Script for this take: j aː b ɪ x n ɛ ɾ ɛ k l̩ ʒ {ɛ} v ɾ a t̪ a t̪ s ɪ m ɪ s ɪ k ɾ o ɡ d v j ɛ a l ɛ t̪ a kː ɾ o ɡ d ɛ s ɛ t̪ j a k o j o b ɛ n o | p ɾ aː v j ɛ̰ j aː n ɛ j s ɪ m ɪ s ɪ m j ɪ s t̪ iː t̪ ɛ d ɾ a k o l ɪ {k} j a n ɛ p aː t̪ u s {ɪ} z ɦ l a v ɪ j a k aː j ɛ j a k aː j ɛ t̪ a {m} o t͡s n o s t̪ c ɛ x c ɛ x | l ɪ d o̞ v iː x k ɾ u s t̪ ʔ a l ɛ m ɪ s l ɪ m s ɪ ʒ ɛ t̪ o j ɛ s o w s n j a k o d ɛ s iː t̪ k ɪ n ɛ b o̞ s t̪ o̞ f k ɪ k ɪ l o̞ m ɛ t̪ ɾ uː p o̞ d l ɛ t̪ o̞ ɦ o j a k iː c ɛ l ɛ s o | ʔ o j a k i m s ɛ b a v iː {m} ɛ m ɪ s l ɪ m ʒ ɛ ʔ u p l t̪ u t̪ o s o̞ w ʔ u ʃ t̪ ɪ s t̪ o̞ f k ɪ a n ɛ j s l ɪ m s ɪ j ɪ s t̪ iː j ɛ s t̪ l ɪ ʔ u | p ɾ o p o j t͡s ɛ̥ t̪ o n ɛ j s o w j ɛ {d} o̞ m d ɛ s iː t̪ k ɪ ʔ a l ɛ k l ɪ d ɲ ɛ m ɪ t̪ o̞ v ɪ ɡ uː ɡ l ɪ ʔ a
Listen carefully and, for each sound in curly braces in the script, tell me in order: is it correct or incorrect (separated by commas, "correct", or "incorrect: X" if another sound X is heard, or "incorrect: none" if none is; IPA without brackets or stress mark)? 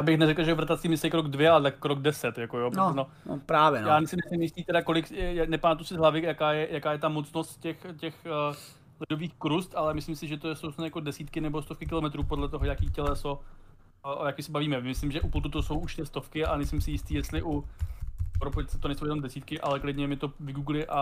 correct, correct, correct, correct, correct, incorrect: n